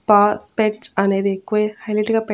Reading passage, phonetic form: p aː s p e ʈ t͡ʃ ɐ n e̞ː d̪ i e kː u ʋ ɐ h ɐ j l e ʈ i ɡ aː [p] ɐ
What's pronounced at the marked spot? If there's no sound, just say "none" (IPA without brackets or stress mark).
p